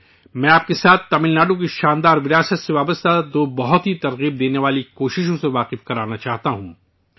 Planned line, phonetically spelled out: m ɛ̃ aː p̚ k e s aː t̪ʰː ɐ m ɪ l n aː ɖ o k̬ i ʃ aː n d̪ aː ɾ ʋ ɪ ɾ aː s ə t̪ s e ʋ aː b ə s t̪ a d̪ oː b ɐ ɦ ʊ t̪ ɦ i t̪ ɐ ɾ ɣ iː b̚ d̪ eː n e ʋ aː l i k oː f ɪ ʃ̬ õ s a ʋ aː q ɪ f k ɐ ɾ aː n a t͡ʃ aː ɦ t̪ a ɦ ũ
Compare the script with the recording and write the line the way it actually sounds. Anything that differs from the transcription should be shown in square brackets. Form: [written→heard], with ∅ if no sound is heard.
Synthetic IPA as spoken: m ɛ̃ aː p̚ k e s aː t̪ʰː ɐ m ɪ l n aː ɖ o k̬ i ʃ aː n d̪ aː ɾ ʋ ɪ ɾ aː s ə t̪ s e ʋ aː b ə s t̪ a d̪ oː b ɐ ɦ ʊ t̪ ɦ i t̪ ɐ ɾ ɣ iː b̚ d̪ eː n e ʋ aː l i k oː [f→ʃ] ɪ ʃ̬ õ s [a→e] ʋ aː q ɪ f k ɐ ɾ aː n a t͡ʃ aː ɦ t̪ a ɦ ũ

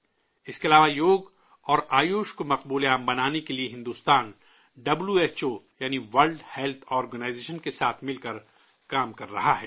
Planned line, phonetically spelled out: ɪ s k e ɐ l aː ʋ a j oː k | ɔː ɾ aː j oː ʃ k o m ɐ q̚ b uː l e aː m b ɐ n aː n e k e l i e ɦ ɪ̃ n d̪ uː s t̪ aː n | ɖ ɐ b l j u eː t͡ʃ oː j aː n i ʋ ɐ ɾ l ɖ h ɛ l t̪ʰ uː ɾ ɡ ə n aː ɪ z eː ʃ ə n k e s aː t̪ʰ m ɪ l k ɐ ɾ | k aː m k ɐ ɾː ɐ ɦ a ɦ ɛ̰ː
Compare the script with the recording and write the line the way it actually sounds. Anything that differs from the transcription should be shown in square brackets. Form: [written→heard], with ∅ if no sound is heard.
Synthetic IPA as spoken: ɪ s k e ɐ l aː ʋ a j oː [k→ɡ] | ɔː ɾ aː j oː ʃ k o m ɐ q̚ b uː l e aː m b ɐ n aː n e k e l i e ɦ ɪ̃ n d̪ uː s t̪ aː n | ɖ ɐ b l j u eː t͡ʃ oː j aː n i ʋ ɐ ɾ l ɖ h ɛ l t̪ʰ [uː→ɔː] ɾ ɡ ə n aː ɪ z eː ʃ ə n k e s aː t̪ʰ m ɪ l k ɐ ɾ | k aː m k ɐ ɾː ɐ ɦ a ɦ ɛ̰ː

